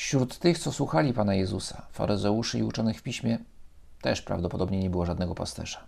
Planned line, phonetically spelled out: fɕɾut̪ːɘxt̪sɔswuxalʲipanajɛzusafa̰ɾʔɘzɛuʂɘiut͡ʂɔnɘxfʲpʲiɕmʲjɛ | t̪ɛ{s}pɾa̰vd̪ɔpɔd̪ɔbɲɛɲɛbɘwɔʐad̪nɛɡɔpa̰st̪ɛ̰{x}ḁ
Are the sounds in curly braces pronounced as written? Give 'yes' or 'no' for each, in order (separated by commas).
no, no